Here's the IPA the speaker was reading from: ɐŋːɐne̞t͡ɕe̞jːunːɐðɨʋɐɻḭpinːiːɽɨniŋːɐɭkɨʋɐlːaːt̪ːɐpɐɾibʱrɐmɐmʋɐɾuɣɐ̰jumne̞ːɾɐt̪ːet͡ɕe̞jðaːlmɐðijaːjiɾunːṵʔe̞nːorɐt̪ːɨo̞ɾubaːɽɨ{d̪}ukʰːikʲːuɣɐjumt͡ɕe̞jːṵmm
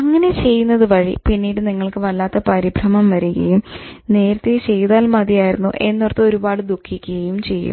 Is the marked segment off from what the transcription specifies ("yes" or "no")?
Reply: no